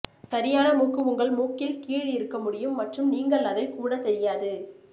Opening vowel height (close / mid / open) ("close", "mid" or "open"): open